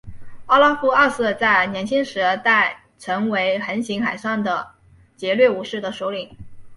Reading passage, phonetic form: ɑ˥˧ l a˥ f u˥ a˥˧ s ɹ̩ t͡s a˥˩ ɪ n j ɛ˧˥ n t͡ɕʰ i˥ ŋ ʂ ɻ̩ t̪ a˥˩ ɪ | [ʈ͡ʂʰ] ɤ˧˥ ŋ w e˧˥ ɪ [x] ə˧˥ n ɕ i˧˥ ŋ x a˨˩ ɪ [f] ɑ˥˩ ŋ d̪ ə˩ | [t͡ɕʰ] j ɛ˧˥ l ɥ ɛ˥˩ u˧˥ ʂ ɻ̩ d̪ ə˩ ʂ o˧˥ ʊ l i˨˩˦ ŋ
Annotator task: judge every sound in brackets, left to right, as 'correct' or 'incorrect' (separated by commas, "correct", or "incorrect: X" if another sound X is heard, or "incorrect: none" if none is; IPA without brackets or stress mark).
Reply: correct, correct, incorrect: ʂ, incorrect: t͡ɕ